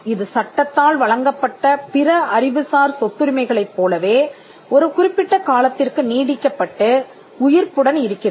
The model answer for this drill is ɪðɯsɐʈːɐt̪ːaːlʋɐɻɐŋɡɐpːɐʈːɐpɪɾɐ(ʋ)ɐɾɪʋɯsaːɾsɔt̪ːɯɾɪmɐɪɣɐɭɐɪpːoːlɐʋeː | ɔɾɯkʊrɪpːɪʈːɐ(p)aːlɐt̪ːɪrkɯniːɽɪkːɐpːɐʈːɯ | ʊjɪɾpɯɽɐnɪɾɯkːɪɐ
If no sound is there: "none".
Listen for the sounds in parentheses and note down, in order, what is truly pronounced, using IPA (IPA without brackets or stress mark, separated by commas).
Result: none, k